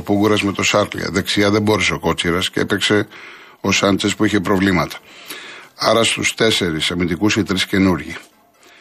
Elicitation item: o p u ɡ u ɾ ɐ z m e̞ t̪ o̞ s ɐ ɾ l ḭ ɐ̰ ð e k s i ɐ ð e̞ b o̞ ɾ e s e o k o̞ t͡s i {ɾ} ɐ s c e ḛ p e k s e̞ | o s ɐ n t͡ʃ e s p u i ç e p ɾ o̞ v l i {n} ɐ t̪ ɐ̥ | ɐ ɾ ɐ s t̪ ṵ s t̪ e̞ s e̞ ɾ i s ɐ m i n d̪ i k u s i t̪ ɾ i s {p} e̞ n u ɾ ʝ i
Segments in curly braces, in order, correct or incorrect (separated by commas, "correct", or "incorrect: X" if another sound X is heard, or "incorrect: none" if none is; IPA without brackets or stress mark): correct, incorrect: m, incorrect: c